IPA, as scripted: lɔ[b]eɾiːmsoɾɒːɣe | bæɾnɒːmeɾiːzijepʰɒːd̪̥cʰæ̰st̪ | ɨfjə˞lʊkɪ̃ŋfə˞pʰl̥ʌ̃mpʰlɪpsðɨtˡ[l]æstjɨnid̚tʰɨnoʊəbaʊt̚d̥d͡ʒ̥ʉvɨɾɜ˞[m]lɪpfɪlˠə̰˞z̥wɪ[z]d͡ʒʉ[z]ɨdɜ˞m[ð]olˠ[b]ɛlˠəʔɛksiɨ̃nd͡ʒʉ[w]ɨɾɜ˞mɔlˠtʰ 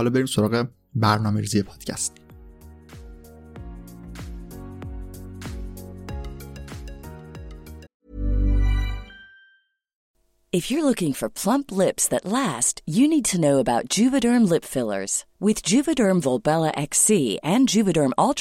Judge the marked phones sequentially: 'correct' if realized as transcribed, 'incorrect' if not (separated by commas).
correct, correct, correct, incorrect, incorrect, incorrect, correct, incorrect